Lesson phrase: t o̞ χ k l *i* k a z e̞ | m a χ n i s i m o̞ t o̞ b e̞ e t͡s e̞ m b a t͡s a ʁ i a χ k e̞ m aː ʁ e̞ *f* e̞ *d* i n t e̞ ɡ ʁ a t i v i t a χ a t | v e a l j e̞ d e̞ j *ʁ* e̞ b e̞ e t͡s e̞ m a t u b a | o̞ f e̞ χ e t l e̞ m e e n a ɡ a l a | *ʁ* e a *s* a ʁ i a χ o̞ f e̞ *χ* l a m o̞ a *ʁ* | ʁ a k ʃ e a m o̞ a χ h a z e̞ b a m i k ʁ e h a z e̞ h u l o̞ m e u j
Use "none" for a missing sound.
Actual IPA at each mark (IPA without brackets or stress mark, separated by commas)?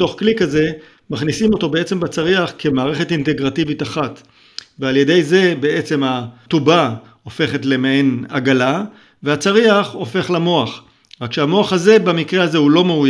i, χ, t, z, v, t͡s, χ, χ